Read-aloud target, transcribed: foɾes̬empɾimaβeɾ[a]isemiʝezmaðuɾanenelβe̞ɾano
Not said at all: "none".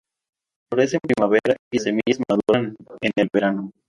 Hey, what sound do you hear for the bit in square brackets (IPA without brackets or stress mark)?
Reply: a